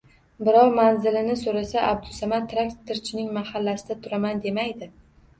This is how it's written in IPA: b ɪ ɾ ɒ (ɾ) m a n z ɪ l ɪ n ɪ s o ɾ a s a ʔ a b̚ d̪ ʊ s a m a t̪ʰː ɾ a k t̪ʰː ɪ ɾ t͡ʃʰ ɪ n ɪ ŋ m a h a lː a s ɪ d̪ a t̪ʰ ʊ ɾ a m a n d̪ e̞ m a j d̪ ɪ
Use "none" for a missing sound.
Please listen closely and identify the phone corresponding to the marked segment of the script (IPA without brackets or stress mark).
ɾ